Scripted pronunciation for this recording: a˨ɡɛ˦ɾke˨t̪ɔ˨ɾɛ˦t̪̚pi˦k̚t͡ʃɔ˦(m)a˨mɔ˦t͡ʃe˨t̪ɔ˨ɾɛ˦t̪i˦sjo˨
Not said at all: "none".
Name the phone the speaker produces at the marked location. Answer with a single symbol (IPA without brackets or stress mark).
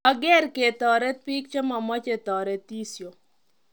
m